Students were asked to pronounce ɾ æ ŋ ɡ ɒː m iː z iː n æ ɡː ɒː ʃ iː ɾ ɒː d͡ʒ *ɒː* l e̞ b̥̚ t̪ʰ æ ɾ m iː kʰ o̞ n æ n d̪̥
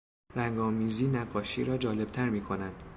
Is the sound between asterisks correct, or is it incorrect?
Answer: correct